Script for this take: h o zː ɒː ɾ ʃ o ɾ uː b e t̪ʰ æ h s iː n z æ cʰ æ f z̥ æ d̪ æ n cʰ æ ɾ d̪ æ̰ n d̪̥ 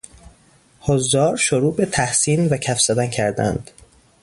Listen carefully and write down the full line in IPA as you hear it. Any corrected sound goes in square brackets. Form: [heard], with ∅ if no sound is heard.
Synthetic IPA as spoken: h o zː ɒː ɾ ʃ o ɾ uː b e t̪ʰ æ h s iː n [v] æ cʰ æ f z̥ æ d̪ æ n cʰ æ ɾ d̪ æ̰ n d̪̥